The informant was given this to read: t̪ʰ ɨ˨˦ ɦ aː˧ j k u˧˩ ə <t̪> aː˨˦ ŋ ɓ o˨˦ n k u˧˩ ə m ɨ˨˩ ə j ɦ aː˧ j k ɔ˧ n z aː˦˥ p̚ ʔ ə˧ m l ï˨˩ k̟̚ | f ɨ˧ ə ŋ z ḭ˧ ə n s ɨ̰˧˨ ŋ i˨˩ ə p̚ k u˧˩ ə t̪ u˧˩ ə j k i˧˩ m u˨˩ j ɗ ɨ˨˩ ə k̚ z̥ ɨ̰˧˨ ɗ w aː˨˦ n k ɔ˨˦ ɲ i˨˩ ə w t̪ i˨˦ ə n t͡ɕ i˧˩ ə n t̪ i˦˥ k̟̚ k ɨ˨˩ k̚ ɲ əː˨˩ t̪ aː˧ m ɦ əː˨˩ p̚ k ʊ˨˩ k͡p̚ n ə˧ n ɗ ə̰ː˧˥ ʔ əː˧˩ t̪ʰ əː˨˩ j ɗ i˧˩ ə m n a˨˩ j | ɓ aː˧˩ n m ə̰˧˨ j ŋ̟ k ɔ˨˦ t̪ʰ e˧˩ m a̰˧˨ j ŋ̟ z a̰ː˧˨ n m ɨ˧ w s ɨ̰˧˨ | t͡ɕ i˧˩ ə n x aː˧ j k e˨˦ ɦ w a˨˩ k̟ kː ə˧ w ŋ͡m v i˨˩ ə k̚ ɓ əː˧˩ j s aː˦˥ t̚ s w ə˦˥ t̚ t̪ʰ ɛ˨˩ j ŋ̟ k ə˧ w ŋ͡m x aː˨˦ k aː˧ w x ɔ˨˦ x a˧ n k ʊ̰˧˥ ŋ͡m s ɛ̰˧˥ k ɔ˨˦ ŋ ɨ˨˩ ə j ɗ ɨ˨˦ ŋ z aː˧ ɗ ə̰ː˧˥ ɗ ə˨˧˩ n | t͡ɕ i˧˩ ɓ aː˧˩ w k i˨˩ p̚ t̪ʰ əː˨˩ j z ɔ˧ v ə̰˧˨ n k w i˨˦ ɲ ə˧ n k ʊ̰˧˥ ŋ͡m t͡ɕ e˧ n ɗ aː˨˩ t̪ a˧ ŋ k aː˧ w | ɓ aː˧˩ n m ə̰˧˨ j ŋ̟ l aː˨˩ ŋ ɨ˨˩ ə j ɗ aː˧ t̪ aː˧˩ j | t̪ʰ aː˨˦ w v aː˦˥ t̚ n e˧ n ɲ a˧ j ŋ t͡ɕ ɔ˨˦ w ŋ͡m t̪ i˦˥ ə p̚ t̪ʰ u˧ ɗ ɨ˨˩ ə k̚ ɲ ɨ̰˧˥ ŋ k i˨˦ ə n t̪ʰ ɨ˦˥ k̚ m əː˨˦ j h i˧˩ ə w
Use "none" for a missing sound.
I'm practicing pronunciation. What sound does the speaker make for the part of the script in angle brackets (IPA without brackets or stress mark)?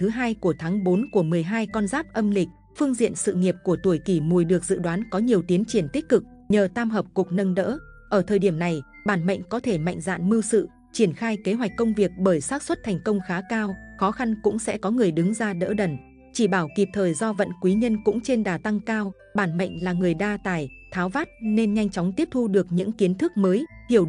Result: t̪ʰ